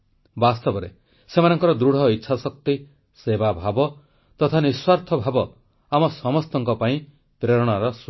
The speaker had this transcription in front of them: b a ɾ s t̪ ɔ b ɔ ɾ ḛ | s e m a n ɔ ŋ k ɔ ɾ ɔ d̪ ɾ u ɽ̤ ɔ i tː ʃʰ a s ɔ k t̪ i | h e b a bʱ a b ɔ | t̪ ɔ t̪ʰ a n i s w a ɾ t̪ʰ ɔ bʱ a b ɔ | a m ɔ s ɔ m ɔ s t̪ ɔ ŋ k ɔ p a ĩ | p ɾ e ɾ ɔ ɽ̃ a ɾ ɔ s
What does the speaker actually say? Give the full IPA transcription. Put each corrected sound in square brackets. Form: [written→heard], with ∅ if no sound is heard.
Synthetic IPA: b a [ɾ→∅] s t̪ ɔ b ɔ ɾ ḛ | s e m a n ɔ ŋ k ɔ ɾ ɔ d̪ ɾ u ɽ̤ ɔ i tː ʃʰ a s ɔ k t̪ i | [h→s] e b a bʱ a b ɔ | t̪ ɔ t̪ʰ a n i s w a ɾ t̪ʰ ɔ bʱ a b ɔ | a m ɔ s ɔ m ɔ s t̪ ɔ ŋ k ɔ p a ĩ | p ɾ e ɾ ɔ ɽ̃ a ɾ ɔ s